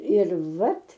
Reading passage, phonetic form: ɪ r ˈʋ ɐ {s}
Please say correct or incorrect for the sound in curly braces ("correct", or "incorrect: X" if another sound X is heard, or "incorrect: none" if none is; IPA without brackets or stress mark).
incorrect: t